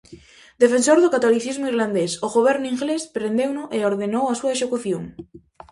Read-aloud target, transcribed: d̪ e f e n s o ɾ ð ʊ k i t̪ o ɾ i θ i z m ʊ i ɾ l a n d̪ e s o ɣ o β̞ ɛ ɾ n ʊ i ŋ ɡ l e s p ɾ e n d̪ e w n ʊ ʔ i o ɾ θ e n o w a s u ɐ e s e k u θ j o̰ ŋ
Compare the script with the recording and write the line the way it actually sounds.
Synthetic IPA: d̪ e f e n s o ɾ ð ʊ k a t̪ o l i θ i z m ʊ i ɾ l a n d̪ e s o ɣ o β̞ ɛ ɾ n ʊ i ŋ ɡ l e s p ɾ e n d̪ e w n ʊ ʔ e o ɾ ð e n o w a s u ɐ e s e k u θ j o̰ ŋ